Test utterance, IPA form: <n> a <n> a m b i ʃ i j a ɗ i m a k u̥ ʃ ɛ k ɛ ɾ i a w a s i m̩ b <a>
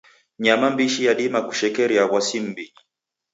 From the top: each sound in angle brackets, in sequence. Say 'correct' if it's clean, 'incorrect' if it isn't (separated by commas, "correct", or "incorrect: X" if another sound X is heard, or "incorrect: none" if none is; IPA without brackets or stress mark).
incorrect: ɲ, incorrect: m, incorrect: i